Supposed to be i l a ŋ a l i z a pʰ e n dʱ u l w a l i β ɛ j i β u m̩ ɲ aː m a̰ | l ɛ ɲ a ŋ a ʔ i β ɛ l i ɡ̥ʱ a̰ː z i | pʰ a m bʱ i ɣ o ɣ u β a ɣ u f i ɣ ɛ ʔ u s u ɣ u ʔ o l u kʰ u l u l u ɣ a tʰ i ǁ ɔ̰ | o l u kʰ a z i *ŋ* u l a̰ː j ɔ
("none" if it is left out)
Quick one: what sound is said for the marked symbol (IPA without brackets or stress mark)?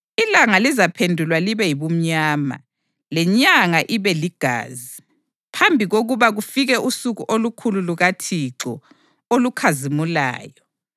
m